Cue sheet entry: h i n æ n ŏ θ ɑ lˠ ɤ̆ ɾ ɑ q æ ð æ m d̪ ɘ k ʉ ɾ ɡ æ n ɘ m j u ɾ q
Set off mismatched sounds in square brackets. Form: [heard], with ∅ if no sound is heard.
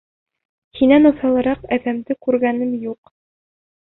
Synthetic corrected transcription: h i n æ n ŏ θ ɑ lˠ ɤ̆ ɾ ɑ q æ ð æ m d̪ ɘ k ʉ ɾ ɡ æ n ɘ m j u [∅] q